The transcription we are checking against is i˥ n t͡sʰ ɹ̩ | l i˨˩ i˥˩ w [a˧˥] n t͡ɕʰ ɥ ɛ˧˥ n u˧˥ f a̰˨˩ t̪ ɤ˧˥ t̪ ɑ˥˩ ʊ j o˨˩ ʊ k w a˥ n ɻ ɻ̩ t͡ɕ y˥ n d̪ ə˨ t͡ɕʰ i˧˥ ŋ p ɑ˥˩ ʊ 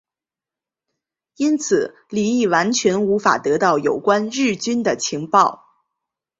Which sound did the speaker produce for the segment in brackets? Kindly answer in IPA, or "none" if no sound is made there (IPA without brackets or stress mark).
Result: a˧˥